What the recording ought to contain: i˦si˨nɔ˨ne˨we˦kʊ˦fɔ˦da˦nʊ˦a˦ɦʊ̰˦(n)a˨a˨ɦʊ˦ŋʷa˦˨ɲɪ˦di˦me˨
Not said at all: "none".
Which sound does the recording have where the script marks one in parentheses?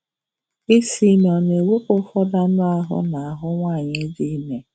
n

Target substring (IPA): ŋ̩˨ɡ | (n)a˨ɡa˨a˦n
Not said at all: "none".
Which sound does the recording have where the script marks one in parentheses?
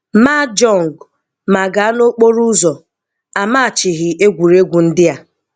m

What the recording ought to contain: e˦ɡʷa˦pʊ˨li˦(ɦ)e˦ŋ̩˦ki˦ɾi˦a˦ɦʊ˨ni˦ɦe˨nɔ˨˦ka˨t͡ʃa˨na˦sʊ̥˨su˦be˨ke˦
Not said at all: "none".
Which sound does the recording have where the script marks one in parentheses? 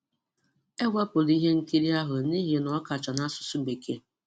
ɦ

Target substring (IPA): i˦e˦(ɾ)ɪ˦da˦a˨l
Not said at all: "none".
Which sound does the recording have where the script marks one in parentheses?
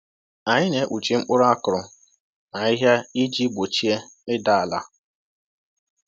none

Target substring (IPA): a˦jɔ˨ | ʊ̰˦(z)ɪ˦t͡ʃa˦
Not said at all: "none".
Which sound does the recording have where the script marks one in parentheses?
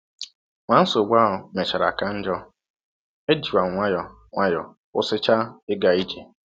s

